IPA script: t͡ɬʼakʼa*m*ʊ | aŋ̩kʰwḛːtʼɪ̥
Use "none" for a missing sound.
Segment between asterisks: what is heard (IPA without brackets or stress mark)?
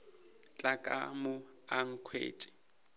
m